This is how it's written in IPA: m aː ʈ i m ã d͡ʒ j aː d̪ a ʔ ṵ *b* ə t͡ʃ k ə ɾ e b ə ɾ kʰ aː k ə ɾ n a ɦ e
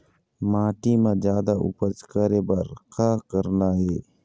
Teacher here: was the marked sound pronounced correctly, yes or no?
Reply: no